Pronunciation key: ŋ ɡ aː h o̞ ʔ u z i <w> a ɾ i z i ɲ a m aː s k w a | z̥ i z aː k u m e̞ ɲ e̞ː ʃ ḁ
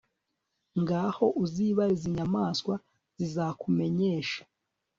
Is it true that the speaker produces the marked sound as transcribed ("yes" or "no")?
no